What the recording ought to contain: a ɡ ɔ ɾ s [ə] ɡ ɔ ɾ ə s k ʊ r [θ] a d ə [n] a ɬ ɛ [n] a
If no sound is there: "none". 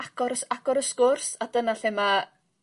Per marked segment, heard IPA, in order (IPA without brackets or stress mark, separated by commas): a, s, n, m